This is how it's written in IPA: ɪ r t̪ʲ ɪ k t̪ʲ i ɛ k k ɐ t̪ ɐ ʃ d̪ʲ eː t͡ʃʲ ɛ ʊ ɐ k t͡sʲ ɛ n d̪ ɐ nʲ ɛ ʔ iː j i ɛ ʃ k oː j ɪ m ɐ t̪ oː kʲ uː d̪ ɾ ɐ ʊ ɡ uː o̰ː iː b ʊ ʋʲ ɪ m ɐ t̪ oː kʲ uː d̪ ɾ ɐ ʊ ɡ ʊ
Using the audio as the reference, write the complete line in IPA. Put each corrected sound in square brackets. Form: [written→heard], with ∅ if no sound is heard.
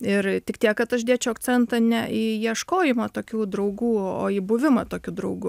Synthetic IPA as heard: ɪ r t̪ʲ ɪ k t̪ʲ i ɛ k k ɐ t̪ ɐ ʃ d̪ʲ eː t͡ʃʲ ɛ ʊ ɐ k t͡sʲ ɛ n [d̪→t̪] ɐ nʲ ɛ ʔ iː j i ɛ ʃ k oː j ɪ m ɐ t̪ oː kʲ uː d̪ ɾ ɐ ʊ ɡ uː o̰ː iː b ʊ ʋʲ ɪ m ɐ t̪ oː kʲ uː d̪ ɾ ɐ ʊ ɡ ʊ